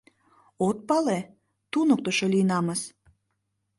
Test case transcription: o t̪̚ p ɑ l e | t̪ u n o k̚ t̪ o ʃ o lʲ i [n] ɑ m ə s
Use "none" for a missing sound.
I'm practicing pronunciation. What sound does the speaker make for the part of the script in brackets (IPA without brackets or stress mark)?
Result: n